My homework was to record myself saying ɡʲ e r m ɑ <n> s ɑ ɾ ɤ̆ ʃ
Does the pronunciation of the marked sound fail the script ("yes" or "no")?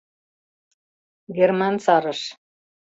no